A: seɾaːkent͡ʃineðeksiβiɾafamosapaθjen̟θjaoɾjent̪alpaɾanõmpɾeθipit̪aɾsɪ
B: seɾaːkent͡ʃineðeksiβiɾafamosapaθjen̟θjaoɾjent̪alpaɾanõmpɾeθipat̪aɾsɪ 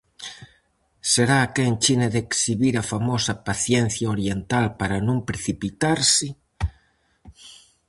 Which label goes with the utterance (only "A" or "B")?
A